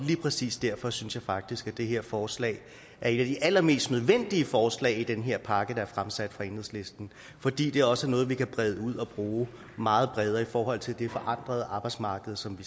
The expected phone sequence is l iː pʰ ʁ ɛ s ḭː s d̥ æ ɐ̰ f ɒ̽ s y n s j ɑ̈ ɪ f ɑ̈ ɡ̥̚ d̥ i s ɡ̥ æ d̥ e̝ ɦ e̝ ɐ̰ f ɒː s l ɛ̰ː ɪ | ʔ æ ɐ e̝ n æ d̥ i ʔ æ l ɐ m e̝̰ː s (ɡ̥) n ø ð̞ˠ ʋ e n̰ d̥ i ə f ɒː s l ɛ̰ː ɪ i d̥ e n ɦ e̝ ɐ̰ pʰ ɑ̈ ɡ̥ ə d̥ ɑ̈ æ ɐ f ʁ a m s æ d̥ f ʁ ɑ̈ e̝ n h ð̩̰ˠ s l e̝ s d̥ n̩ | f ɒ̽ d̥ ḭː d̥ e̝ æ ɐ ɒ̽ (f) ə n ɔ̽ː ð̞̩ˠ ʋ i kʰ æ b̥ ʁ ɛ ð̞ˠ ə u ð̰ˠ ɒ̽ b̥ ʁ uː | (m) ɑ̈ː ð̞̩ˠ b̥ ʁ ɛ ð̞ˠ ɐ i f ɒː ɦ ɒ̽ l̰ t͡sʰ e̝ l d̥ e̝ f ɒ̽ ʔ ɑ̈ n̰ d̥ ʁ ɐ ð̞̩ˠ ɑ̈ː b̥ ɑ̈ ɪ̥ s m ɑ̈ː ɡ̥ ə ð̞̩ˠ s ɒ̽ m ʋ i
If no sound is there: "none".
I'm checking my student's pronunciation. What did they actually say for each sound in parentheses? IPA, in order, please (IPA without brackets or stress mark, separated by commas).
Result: d̥, s, m